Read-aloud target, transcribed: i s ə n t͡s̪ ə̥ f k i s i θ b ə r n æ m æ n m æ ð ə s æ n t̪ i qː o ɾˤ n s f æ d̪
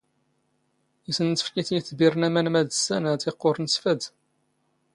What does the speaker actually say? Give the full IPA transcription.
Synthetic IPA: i s ə n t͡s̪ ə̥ f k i θ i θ b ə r n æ m æ n m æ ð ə s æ n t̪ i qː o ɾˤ n s f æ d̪